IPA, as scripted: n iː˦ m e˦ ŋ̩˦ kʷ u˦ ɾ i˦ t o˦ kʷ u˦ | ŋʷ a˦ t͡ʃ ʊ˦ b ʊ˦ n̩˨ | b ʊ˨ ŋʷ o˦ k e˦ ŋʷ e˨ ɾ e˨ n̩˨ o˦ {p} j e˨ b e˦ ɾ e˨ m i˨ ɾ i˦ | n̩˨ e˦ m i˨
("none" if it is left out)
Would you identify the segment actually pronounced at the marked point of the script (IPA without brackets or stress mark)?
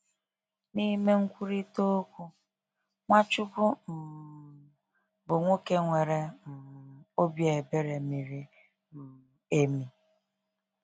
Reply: b